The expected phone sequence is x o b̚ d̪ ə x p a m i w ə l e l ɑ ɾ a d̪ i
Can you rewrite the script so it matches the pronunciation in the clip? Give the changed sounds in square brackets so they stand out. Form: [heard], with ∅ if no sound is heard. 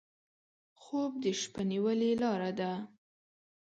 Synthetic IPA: x o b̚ d̪ ə [ʃ] p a [n] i w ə l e l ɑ ɾ a d̪ [a]

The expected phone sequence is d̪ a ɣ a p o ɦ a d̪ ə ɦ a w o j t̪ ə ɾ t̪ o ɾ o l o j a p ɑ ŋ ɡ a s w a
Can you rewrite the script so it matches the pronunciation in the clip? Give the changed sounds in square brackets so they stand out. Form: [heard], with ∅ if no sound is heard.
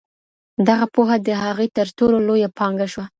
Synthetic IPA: d̪ a ɣ a p o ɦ a d̪ ə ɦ a [ɣ] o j t̪ ə ɾ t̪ o [l] o l o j a p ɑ ŋ ɡ a [ʃ] w a

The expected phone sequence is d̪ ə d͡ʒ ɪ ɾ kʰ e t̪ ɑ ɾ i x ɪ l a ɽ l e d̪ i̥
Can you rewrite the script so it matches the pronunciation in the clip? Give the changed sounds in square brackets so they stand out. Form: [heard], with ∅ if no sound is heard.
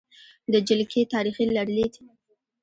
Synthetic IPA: d̪ ə d͡ʒ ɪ [l] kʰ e t̪ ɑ ɾ i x [i] l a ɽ l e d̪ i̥

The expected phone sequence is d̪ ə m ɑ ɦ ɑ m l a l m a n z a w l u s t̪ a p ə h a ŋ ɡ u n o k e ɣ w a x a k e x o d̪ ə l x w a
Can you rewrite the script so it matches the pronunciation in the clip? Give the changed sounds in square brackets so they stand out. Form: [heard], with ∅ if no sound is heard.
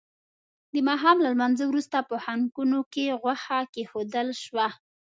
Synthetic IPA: d̪ ə m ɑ ɦ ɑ m l a l m a n z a w [ɾ] u s t̪ a p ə h a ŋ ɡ u n o k e ɣ w a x a k e x o d̪ ə l [ʃ] w a

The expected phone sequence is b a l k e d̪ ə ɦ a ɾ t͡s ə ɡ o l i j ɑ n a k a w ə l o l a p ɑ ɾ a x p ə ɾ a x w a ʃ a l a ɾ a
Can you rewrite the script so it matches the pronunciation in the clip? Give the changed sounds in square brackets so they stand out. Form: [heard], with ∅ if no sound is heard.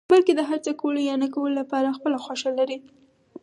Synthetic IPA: b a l k e d̪ ə ɦ a ɾ t͡s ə [k] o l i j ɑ n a k a w ə l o l a p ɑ ɾ a x p ə [l] a x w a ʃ a l a ɾ [i]

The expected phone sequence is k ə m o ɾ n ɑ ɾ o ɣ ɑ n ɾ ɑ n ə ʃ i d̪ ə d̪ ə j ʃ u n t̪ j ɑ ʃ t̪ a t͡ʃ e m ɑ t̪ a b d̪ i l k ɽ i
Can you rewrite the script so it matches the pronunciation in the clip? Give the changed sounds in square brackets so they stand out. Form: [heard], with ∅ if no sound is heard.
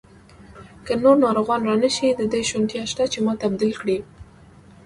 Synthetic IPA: k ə [n] o ɾ n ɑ ɾ o ɣ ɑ n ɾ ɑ n ə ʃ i d̪ ə d̪ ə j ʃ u n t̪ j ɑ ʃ t̪ a t͡ʃ e m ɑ t̪ a b d̪ i l k ɽ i

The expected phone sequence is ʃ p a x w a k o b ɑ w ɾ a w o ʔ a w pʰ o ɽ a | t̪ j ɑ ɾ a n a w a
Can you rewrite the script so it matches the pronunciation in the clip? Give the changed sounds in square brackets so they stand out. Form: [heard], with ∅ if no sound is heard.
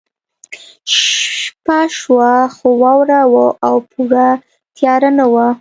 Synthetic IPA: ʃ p a [ʃ] w a [x] o [w] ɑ w ɾ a w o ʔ a w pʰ [u] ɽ a | t̪ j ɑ ɾ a n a w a

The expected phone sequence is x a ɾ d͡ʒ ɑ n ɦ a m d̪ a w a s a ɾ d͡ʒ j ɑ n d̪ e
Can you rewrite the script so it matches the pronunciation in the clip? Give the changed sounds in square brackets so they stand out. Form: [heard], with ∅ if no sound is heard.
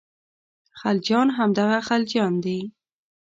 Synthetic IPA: x a [l] d͡ʒ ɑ n ɦ a m d̪ a [ɣ] a [x] a [l] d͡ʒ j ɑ n d̪ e

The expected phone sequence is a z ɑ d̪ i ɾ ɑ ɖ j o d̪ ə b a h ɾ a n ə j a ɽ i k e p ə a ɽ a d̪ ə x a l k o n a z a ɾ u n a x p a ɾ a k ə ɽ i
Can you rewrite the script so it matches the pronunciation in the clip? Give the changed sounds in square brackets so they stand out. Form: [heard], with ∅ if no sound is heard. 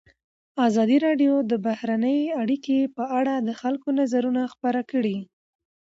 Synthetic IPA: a z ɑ d̪ i ɾ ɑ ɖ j o d̪ ə b a h ɾ a n ə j a ɽ i k e p ə a ɽ a d̪ ə x a l k o n a z a ɾ u n a x p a ɾ a k ə ɽ i

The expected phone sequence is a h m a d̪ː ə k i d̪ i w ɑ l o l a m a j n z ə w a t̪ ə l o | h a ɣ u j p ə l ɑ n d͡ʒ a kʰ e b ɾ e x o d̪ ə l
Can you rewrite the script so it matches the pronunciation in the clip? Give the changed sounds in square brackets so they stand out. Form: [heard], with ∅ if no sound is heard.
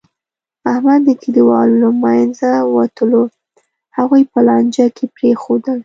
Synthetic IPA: a h m a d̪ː ə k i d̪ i w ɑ l o l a m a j n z [a] w a t̪ ə l o | h a ɣ u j p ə l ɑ n d͡ʒ a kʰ e [p] ɾ e x o d̪ ə l

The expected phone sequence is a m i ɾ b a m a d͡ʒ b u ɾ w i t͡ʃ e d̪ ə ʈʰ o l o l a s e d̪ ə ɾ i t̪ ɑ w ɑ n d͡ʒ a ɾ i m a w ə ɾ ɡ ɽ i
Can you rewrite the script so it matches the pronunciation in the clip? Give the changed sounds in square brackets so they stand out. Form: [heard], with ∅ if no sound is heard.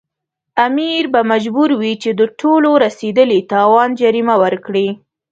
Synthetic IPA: a m i ɾ b a m a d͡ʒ b u ɾ w i t͡ʃ e d̪ ə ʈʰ o l o [ɾ] a s e d̪ ə [l] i t̪ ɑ w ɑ n d͡ʒ a ɾ i m a w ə ɾ [k] ɽ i

